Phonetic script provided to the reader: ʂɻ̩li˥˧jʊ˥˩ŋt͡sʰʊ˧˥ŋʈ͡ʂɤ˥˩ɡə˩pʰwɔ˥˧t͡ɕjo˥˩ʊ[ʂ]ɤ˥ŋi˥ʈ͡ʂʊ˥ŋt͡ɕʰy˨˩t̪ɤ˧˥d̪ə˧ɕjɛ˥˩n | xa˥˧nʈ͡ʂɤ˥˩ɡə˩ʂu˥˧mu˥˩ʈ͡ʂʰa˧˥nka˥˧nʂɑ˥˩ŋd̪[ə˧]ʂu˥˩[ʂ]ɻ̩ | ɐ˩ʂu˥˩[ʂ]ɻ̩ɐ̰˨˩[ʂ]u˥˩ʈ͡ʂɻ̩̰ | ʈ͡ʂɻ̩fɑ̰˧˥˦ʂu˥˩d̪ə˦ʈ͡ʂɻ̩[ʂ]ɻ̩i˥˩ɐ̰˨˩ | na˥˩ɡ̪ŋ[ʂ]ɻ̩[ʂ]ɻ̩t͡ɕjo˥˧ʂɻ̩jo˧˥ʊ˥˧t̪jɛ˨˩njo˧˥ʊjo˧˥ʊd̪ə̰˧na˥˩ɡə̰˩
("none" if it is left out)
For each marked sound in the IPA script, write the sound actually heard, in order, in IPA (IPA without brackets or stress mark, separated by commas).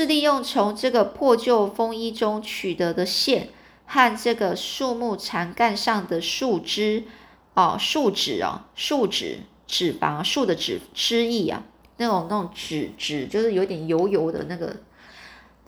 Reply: f, ə˩, ʈ͡ʂ, ʈ͡ʂ, ʂ, ʈ͡ʂ, ʈ͡ʂ, ʈ͡ʂ